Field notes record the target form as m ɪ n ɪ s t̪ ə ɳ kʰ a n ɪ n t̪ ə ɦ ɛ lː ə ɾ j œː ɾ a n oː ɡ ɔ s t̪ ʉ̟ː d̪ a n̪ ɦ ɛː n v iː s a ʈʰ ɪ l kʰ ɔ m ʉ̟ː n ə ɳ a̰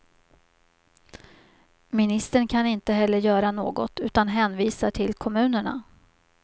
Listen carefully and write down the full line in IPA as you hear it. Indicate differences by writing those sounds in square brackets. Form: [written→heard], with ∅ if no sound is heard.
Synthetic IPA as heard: m ɪ n ɪ s t̪ ə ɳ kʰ a n ɪ n t̪ ə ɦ ɛ lː ə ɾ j œː ɾ a n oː ɡ ɔ [s→∅] t̪ ʉ̟ː [d̪→t̪] a n̪ ɦ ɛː n v iː s a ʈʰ ɪ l kʰ ɔ m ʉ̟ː n ə ɳ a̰